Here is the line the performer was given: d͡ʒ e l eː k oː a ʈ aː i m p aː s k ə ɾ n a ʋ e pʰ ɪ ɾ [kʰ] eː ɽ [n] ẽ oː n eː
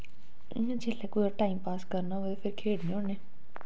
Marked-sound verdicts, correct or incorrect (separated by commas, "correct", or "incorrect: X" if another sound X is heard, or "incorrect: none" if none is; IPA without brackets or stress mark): correct, correct